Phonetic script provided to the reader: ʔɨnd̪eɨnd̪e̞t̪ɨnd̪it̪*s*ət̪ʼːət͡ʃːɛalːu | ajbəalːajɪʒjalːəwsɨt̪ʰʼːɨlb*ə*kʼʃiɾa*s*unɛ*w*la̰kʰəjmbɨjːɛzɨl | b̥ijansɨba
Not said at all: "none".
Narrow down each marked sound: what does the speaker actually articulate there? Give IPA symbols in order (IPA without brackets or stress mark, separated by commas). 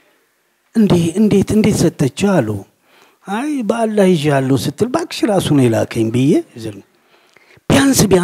s, a, s, none